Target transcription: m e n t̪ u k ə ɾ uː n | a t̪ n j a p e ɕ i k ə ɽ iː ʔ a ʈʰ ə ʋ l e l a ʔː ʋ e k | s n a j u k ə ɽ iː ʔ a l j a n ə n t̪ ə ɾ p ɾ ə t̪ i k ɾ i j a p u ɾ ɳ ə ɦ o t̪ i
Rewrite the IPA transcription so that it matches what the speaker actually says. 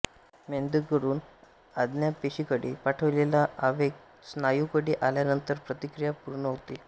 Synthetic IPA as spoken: m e n d̪ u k ə ɾ uː n | a d̪ n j a p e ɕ i k ə ɽ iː p a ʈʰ ə ʋ l e l a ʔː ʋ e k | s n a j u k ə ɽ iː ʔ a l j a n ə n t̪ ə ɾ p ɾ ə t̪ i k ɾ i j a p u ɾ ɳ ə ɦ o t̪ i